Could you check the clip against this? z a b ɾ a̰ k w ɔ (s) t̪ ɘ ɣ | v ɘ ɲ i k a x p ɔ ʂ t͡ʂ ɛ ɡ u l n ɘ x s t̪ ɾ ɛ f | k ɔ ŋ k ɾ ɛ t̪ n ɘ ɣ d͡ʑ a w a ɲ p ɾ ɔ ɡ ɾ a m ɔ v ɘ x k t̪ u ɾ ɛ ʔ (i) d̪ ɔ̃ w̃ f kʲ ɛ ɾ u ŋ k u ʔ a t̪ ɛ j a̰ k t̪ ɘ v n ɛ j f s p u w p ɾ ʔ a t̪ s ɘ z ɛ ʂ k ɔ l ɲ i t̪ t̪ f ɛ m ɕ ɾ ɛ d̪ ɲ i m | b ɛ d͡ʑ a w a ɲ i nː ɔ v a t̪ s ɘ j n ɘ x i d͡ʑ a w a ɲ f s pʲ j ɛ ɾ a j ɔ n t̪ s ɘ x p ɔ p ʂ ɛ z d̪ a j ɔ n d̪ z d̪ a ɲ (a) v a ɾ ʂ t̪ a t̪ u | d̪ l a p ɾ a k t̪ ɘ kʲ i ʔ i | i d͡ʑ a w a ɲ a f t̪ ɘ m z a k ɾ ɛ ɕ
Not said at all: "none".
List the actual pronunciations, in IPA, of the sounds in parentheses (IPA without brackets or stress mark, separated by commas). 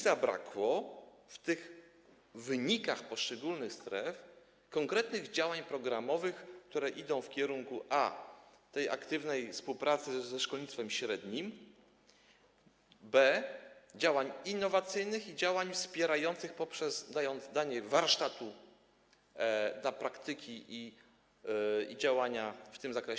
f, i, ɛ